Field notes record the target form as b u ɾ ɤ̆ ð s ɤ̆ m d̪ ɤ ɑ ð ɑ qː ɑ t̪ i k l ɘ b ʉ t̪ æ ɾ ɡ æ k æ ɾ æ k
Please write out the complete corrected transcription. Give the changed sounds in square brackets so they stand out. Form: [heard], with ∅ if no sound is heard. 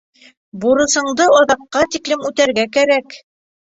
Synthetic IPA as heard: b u ɾ ɤ̆ [∅] s ɤ̆ [ɴ] d̪ ɤ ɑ ð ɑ qː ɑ t̪ i k l ɘ [m] ʉ t̪ æ ɾ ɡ æ k æ ɾ æ k